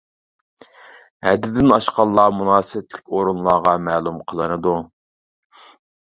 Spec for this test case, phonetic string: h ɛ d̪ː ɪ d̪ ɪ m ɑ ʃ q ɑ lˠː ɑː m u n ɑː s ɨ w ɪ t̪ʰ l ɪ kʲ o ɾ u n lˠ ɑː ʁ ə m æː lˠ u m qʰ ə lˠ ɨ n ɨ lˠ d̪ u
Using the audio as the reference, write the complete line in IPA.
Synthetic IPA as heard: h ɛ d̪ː ɪ d̪ ɪ n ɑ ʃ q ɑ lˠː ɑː m u n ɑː s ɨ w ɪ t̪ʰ l ɪ kʲ o ɾ u n lˠ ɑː ʁ ɑ m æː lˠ u m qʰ ə lˠ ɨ n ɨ d̪ u